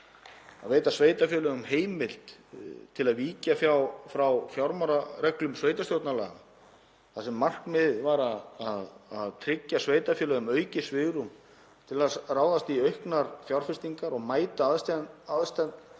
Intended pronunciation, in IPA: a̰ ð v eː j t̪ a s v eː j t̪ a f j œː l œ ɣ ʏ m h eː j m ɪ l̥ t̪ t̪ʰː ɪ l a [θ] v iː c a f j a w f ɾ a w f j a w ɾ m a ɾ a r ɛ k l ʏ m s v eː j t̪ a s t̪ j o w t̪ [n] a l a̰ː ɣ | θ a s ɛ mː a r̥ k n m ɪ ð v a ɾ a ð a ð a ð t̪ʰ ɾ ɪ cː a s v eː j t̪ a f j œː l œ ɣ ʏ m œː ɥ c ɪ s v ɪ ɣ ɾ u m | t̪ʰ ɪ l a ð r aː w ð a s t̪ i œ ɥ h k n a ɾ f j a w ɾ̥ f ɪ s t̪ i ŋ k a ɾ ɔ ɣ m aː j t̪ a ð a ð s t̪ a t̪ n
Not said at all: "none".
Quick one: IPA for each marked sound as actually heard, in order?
ð, n

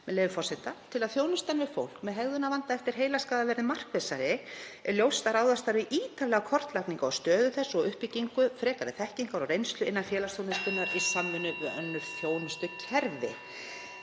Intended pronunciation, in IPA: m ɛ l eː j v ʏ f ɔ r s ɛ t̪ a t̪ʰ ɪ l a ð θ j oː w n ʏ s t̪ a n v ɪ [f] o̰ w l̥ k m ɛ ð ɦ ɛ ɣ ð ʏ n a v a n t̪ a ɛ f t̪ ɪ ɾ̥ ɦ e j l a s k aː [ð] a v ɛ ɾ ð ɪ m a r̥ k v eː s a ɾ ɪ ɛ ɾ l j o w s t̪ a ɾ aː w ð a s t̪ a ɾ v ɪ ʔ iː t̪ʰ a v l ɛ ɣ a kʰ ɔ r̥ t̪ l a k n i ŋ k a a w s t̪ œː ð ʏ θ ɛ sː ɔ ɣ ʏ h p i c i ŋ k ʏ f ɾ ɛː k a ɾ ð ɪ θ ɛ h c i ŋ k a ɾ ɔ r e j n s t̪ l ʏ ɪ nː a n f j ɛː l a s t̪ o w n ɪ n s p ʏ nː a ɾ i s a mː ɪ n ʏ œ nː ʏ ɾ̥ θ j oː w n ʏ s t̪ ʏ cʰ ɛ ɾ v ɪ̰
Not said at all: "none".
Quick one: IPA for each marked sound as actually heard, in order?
f, ð

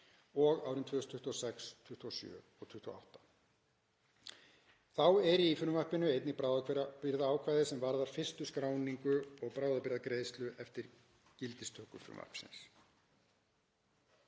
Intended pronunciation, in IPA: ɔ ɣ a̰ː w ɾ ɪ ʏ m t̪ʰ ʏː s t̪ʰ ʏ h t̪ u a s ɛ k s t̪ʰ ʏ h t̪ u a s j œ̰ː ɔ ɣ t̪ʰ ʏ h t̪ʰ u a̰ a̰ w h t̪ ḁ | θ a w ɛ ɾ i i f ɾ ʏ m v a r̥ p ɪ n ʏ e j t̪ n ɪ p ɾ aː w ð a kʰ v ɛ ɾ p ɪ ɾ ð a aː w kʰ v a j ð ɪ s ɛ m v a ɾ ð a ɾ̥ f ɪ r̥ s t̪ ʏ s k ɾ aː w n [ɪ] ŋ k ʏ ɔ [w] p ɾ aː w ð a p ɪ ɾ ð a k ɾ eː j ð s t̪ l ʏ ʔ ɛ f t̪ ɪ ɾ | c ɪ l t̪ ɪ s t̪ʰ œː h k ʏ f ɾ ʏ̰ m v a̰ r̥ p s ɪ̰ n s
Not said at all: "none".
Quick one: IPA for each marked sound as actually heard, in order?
i, ɣ

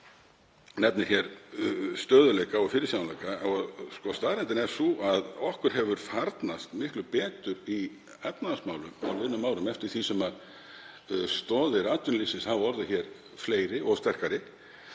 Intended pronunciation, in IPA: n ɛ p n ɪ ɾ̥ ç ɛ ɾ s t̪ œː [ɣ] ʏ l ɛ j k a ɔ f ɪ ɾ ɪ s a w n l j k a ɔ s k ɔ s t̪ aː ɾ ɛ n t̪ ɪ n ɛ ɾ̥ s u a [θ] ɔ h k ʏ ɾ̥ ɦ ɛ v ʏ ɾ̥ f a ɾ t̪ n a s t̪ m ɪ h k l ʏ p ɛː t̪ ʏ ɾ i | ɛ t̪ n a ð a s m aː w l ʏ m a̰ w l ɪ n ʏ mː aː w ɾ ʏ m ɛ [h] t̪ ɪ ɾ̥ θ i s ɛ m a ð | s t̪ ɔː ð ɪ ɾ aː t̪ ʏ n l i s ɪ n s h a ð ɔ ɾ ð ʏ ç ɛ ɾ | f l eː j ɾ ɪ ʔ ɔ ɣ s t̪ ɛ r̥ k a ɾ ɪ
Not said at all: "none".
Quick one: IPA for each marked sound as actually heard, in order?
ð, ð, f

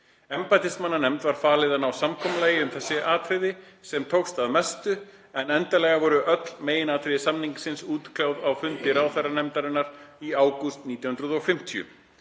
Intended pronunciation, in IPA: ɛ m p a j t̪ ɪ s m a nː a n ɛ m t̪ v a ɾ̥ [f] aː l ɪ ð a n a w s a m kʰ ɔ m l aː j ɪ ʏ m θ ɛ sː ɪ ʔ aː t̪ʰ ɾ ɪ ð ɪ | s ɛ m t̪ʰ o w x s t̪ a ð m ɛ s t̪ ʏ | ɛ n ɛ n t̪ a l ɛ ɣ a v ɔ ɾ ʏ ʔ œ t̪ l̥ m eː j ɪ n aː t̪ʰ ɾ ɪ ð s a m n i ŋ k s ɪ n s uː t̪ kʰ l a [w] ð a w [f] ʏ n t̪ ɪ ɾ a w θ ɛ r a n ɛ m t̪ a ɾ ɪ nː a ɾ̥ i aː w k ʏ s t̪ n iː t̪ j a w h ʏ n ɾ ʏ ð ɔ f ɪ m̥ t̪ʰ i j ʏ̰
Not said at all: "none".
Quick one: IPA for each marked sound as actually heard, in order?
f, w, f

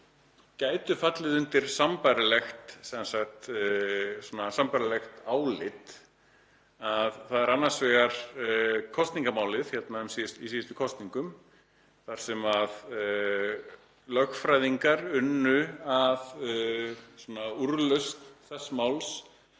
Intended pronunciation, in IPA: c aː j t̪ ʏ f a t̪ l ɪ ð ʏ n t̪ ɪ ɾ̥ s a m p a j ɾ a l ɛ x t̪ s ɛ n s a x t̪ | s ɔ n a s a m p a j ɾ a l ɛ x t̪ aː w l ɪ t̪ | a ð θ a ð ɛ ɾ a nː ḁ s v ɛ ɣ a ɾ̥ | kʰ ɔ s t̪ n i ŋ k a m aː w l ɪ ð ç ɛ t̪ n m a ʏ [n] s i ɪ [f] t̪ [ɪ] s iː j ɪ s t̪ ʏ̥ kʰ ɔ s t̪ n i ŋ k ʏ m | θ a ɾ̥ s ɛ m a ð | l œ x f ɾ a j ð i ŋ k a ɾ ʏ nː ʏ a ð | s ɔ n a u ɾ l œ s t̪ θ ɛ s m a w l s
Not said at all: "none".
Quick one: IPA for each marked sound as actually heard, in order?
m, s, i

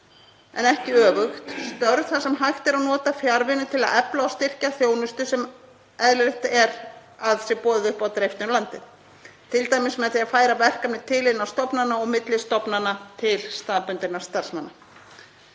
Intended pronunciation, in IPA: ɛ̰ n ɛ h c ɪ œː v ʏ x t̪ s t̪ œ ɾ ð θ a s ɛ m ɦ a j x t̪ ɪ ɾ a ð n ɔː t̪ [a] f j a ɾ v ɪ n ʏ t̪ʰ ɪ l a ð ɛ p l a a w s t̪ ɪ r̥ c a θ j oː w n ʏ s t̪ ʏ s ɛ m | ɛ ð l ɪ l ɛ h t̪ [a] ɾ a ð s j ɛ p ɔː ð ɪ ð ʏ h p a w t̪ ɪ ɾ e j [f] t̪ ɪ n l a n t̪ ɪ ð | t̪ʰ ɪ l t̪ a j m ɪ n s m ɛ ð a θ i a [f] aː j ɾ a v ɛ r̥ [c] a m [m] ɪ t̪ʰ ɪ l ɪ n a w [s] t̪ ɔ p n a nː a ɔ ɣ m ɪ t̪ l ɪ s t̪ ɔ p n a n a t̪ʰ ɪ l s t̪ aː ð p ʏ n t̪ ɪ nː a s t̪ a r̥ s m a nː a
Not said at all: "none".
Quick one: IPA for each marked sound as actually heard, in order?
a, ɛ, f, f, k, n, s

